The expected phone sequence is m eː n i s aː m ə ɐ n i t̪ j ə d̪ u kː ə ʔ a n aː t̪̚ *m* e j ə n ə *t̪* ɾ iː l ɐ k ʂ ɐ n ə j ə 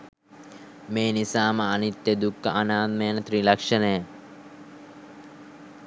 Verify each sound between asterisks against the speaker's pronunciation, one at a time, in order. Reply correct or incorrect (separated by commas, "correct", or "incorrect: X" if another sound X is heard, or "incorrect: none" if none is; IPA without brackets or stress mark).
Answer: correct, correct